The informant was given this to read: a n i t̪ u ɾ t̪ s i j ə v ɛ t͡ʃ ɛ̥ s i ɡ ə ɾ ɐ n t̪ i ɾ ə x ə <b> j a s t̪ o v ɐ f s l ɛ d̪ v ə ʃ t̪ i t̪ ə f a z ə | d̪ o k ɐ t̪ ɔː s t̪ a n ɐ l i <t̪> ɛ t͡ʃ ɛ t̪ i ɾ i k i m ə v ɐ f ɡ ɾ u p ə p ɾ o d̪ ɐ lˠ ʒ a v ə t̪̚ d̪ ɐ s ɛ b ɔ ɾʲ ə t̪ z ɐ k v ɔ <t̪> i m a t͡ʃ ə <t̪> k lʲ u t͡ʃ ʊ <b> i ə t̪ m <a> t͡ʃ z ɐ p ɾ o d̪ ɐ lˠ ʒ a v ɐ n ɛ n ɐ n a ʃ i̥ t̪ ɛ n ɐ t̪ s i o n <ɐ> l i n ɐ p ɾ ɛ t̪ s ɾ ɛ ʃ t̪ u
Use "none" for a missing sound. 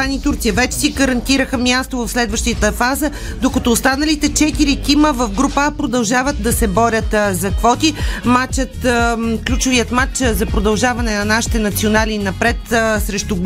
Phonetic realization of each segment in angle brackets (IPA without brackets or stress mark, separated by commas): m, t̪, t̪, t̪, v, a, a